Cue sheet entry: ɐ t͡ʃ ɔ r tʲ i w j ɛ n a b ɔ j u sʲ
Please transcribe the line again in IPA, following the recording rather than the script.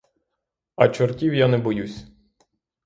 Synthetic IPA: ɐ t͡ʃ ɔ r tʲ i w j a n ɛ b ɔ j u sʲ